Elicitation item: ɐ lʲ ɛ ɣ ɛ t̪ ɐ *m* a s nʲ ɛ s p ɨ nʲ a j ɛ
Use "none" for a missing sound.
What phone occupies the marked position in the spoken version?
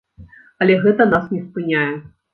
n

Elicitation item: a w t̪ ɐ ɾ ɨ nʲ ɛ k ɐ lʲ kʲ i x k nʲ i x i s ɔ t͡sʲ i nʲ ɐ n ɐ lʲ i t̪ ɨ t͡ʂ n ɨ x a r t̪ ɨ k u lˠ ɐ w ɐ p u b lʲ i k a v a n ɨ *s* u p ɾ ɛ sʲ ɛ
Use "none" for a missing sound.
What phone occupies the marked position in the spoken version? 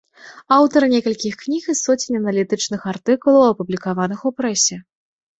x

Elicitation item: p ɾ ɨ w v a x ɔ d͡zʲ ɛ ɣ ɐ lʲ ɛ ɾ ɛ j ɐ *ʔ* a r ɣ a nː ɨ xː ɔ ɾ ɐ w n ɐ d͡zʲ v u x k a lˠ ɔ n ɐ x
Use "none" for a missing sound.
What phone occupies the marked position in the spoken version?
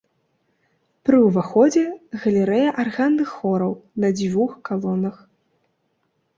ʔ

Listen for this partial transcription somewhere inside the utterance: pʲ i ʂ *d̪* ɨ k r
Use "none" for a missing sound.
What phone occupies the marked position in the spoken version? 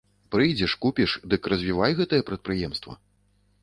d̪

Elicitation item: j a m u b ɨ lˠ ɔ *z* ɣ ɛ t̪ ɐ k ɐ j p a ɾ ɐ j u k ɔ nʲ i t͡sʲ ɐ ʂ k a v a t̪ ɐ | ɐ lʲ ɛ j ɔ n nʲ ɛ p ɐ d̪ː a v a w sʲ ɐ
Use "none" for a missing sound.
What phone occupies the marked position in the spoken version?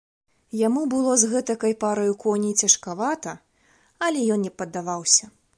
z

